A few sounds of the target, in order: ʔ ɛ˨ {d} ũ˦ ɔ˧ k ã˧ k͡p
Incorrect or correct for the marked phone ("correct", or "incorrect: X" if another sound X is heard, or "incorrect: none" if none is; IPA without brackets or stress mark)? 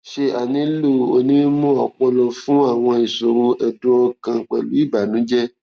correct